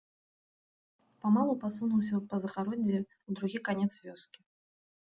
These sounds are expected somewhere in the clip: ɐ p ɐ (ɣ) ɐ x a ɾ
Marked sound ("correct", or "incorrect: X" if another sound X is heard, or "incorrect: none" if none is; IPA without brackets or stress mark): incorrect: z